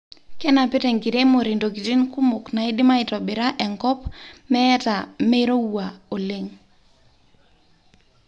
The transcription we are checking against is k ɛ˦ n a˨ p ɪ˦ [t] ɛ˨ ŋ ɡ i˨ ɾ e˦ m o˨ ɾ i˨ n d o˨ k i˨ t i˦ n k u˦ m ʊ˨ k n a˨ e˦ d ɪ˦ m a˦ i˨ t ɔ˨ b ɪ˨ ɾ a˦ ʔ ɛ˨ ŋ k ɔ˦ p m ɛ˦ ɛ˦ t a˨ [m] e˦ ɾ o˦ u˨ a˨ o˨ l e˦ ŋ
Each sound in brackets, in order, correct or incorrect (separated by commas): correct, correct